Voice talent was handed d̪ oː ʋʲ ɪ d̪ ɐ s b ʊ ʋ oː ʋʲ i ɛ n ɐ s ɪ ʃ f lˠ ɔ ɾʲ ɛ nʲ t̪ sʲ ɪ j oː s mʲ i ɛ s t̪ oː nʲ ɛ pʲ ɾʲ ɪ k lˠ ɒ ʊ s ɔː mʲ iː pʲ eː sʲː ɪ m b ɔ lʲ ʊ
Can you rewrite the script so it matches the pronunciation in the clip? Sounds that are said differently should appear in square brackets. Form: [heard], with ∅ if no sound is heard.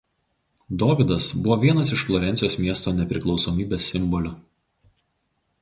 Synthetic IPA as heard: d̪ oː ʋʲ ɪ d̪ ɐ s b ʊ ʋ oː ʋʲ i ɛ n ɐ s ɪ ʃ f lˠ ɔ ɾʲ ɛ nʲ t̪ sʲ ɪ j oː s mʲ i ɛ s t̪ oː nʲ ɛ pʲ ɾʲ ɪ k lˠ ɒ ʊ s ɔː mʲ iː [bʲ] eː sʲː ɪ m b ɔ lʲ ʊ